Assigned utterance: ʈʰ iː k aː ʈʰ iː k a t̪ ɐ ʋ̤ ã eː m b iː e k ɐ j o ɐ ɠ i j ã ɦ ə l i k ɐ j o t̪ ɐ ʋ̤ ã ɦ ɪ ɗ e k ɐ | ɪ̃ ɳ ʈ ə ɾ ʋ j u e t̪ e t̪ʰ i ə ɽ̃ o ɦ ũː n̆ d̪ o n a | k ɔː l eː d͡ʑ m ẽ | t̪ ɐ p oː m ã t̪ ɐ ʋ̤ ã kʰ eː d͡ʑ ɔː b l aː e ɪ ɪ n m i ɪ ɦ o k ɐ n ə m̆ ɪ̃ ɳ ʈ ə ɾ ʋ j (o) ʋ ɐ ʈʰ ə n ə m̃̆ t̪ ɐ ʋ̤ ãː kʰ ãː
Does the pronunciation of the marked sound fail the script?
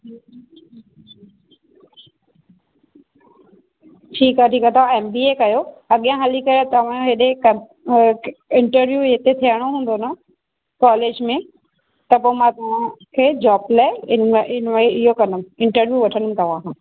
yes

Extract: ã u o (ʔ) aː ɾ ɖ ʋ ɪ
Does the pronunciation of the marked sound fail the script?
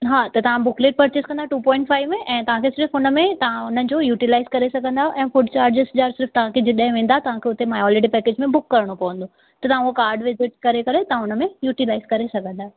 yes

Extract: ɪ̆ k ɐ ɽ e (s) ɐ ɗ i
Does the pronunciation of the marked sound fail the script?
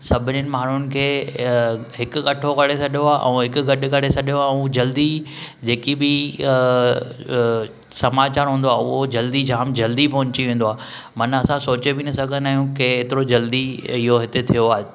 no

